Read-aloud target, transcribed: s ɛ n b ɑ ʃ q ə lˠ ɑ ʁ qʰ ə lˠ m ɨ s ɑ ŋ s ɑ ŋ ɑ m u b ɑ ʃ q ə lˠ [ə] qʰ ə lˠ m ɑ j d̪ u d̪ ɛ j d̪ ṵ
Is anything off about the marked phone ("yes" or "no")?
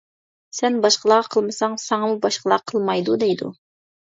yes